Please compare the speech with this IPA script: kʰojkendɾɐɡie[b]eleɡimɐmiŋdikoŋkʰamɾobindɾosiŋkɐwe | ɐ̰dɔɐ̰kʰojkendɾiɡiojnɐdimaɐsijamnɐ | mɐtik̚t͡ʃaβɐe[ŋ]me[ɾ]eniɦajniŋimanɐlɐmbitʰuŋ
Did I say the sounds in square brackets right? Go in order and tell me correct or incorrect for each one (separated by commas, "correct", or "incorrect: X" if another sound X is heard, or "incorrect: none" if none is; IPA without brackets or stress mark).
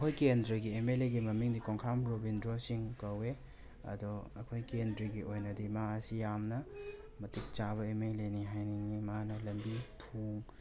incorrect: m, incorrect: none, incorrect: l